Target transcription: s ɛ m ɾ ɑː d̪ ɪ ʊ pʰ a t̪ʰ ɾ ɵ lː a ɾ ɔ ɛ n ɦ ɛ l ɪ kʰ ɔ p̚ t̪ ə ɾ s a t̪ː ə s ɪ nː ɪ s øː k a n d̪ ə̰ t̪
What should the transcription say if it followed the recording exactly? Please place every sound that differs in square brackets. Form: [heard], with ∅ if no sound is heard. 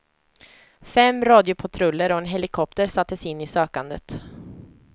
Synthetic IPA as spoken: [f] ɛ m ɾ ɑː d̪ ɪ ʊ pʰ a t̪ʰ ɾ ɵ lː [ə] ɾ ɔ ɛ n ɦ ɛ l ɪ kʰ ɔ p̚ t̪ ə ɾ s a t̪ː ə s ɪ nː ɪ s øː k a n d̪ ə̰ t̪